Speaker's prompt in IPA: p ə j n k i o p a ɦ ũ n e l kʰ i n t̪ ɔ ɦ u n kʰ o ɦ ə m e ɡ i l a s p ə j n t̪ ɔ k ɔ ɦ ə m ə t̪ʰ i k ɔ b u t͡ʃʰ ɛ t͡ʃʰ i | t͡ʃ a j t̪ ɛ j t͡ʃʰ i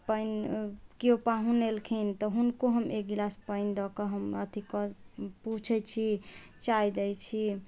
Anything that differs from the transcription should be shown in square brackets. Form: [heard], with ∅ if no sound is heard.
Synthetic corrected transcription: p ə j n k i o p a ɦ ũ n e l kʰ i n t̪ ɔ ɦ u n [k] o ɦ ə m e ɡ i l a s p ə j n [d̪] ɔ k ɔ ɦ ə m ə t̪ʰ i k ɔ [p] u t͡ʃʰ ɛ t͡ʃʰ i | t͡ʃ a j [d̪] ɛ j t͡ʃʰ i